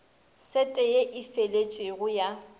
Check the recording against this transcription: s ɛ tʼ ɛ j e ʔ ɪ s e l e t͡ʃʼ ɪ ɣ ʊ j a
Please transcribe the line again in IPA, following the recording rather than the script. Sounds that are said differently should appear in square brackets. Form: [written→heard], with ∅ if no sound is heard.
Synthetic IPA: s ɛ tʼ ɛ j e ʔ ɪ [s→f] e l e t͡ʃʼ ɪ ɣ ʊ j a